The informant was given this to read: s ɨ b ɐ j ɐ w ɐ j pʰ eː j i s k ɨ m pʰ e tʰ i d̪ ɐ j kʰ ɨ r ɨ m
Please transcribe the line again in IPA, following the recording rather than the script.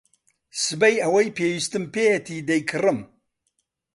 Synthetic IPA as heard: s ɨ b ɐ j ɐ w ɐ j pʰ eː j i s t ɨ m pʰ e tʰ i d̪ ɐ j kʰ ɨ r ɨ m